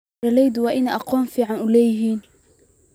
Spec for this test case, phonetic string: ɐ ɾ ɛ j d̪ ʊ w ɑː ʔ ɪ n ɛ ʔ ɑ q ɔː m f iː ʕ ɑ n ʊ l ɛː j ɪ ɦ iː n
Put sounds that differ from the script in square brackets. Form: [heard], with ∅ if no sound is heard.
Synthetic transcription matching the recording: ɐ [l] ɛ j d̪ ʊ w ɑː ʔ ɪ n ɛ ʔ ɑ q ɔː m f iː ʕ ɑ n ʊ l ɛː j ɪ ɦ iː n